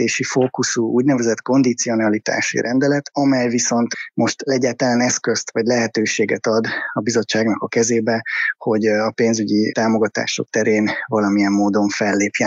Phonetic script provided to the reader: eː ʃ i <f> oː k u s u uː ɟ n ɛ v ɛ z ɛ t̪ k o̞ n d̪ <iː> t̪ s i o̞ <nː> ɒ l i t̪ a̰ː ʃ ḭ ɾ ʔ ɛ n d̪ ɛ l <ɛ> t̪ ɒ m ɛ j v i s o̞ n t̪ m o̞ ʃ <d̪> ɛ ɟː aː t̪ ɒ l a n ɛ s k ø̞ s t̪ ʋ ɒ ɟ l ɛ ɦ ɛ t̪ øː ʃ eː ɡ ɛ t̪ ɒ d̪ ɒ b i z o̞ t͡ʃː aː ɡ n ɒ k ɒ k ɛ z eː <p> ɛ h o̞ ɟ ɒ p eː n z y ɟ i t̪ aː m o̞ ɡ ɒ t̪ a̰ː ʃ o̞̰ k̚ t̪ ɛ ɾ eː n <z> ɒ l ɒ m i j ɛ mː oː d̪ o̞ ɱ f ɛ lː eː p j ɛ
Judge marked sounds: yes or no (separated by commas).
yes, no, no, yes, no, no, no